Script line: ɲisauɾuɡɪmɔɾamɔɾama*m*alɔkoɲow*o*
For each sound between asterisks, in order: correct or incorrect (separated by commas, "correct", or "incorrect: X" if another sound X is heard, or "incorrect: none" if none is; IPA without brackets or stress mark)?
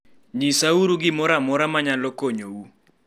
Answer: incorrect: ɲ, incorrect: u